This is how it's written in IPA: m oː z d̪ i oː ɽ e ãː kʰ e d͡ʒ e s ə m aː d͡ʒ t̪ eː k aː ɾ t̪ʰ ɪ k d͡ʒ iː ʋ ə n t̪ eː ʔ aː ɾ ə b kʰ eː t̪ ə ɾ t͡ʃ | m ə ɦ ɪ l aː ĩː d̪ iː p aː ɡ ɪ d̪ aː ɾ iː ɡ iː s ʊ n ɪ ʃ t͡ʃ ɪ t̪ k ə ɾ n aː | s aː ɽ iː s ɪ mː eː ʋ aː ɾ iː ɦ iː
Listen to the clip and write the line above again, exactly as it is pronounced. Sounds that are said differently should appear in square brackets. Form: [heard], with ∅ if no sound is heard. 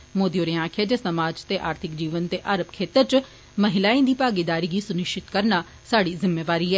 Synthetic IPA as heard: m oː [∅] d̪ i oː [ɾ] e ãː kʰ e d͡ʒ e s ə m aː d͡ʒ t̪ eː [ʔ] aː ɾ t̪ʰ ɪ k d͡ʒ iː ʋ ə n t̪ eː ʔ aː ɾ ə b kʰ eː t̪ ə ɾ t͡ʃ | m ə ɦ ɪ l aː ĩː d̪ iː p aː ɡ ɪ d̪ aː ɾ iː ɡ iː s ʊ n ɪ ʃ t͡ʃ ɪ t̪ k ə ɾ n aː | s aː ɽ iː [z] ɪ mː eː ʋ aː ɾ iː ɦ [ɛː]